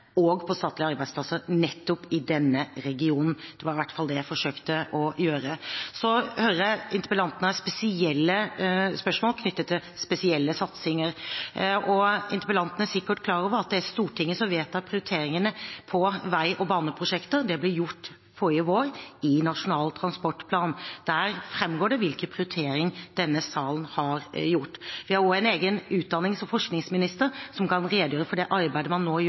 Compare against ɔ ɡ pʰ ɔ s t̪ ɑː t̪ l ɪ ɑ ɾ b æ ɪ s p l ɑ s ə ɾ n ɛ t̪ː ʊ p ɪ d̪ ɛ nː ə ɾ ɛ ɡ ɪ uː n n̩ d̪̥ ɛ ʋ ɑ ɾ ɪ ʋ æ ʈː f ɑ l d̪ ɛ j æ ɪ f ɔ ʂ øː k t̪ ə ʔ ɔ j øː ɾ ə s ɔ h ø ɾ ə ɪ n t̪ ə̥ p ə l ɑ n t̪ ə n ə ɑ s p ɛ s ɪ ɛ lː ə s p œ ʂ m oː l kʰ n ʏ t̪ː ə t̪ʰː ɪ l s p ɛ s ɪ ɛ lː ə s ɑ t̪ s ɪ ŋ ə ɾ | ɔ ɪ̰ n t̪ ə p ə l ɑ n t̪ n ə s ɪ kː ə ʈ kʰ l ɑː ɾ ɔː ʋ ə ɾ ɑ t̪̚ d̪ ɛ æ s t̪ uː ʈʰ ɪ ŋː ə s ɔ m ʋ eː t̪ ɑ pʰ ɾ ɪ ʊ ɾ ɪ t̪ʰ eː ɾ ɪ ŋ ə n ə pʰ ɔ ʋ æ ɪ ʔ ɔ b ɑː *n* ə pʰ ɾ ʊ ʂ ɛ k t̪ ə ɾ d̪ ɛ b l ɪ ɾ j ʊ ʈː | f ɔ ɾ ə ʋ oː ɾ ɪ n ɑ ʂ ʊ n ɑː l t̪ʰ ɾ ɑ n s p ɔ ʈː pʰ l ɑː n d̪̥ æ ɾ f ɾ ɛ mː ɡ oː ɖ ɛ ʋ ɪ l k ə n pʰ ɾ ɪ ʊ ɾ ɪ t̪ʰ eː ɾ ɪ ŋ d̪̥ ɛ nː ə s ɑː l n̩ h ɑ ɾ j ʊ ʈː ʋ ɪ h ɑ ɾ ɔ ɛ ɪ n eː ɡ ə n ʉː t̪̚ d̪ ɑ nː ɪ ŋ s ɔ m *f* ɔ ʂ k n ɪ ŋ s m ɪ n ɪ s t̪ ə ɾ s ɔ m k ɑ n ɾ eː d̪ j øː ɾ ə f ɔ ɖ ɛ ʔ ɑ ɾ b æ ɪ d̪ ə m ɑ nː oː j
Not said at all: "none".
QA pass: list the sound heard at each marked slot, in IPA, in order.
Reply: n, f

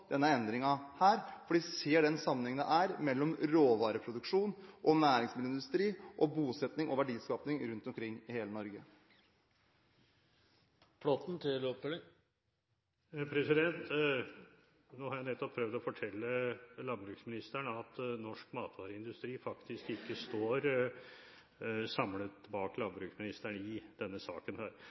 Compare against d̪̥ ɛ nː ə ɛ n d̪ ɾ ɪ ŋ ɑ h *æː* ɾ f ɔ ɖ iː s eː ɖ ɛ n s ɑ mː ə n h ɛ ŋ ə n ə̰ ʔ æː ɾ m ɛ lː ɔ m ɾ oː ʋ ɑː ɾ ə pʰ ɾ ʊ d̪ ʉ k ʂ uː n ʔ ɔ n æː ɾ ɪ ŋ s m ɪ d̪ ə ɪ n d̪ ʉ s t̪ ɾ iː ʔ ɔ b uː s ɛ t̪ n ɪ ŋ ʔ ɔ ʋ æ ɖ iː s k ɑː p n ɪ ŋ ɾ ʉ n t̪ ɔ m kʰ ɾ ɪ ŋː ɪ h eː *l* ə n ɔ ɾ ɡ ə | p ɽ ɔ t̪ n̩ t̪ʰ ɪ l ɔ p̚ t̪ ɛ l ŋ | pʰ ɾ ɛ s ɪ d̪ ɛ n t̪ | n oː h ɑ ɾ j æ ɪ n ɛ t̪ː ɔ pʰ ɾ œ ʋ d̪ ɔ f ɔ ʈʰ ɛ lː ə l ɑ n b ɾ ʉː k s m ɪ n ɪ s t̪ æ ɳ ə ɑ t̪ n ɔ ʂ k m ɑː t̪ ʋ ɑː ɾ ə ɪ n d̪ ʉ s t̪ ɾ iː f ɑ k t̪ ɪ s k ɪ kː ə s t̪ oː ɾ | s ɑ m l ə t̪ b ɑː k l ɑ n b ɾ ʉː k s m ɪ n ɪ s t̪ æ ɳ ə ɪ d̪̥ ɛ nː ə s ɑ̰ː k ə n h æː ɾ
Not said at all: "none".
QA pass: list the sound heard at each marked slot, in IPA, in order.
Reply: æː, l

